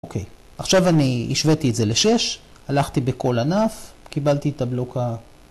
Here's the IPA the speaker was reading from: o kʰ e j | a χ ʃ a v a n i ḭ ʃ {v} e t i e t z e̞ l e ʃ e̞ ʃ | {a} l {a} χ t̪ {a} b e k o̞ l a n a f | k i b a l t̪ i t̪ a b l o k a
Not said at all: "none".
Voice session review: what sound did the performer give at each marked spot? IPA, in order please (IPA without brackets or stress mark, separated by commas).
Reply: v, a, a, i